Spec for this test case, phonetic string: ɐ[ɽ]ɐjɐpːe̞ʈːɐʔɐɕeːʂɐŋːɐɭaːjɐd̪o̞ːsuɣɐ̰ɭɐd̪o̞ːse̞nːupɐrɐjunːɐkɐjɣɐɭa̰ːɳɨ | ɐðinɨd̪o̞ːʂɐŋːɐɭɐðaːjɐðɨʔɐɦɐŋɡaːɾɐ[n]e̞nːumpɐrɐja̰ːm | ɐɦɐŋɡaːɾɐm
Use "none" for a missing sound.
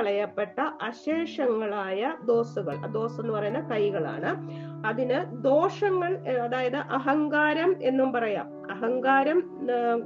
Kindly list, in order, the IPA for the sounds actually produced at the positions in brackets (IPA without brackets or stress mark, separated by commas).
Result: ɭ, m